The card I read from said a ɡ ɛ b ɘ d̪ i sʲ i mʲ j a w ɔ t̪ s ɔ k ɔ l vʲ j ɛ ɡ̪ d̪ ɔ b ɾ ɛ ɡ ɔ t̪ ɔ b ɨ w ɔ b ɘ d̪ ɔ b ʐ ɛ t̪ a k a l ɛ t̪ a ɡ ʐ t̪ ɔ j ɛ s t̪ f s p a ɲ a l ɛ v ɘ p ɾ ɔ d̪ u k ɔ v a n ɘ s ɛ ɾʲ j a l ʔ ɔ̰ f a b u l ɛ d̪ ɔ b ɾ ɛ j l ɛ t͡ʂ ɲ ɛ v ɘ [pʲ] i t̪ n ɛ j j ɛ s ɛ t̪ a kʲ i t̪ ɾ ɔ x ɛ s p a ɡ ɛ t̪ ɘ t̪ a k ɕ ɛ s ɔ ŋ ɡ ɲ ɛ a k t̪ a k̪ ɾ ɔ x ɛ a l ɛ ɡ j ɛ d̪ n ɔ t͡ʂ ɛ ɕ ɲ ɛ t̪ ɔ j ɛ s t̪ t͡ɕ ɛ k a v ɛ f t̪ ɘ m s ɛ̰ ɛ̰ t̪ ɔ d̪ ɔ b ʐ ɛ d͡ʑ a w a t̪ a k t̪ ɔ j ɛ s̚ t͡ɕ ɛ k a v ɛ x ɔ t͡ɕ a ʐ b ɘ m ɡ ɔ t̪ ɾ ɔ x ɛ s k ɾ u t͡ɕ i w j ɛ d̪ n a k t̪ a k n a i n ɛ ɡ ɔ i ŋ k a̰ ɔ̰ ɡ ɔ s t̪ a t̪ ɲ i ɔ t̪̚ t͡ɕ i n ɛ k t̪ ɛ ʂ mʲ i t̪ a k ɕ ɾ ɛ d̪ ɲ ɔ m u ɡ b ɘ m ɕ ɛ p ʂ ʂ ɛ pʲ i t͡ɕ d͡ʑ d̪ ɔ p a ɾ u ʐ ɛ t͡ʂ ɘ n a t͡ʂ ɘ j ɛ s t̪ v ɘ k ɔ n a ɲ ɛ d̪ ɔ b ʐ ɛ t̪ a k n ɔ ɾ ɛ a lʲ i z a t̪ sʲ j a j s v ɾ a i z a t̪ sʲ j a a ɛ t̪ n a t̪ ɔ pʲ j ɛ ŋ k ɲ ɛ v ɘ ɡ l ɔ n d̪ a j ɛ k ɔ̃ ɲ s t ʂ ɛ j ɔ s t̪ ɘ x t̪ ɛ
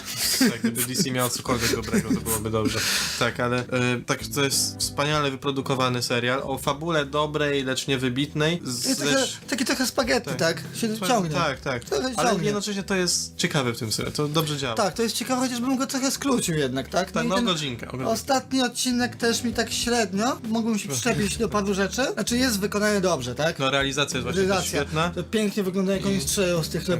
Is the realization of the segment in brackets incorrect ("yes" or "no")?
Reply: yes